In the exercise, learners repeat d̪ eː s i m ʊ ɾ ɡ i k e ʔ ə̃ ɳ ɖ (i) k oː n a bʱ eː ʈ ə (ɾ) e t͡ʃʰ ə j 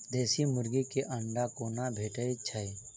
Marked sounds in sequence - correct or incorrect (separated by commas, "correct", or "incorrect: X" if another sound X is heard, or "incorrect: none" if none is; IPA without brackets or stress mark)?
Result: incorrect: a, incorrect: none